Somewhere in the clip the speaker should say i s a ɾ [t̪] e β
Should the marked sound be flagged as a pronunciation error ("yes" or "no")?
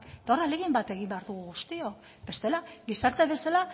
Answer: no